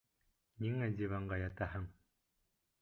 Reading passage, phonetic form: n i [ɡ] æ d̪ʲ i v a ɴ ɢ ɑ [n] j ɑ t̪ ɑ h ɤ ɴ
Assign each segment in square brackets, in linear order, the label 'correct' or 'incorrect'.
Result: incorrect, incorrect

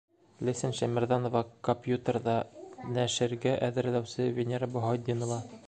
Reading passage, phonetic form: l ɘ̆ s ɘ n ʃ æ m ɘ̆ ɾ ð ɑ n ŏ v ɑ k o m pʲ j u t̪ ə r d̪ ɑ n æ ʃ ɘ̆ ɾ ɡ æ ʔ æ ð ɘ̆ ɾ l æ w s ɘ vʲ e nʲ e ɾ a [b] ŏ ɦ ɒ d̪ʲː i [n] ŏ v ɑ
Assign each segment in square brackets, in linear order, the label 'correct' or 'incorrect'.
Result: correct, correct

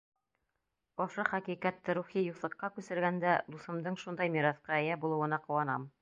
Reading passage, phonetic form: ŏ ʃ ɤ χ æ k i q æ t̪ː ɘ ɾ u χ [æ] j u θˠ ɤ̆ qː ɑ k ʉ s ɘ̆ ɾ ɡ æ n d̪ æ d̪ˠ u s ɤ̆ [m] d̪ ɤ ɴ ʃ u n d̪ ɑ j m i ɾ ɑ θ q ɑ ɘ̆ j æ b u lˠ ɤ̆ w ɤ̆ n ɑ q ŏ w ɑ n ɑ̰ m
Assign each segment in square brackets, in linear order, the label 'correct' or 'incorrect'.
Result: incorrect, correct

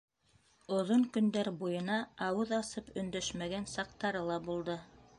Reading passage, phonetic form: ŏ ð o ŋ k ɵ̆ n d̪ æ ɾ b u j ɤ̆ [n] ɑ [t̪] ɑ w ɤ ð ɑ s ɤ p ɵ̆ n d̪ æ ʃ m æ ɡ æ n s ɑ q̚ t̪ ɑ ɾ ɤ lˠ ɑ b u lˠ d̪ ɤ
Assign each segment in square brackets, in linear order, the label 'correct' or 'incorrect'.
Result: correct, incorrect

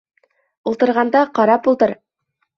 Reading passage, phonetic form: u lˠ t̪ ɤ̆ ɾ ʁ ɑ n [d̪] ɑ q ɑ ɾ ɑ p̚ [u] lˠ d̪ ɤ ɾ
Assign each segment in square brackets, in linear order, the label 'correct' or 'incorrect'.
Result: correct, correct

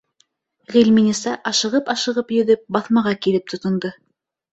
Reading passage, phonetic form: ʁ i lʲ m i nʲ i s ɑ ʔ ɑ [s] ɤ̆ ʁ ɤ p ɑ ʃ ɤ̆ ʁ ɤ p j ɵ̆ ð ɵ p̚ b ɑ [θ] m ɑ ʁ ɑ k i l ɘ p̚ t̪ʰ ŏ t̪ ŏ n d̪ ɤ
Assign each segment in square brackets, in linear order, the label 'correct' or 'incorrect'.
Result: incorrect, correct

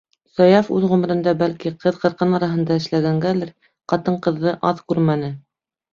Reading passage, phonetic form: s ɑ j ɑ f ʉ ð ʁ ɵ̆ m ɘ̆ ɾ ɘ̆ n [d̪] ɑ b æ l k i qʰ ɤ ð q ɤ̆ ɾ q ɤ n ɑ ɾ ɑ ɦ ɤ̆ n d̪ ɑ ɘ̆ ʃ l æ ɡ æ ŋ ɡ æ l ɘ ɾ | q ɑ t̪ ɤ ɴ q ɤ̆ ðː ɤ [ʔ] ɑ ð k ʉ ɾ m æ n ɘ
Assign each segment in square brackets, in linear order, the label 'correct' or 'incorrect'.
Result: correct, correct

